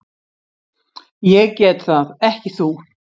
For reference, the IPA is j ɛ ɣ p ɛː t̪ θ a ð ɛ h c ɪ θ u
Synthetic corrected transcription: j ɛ ɣ c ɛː t̪ θ a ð ɛ h c ɪ θ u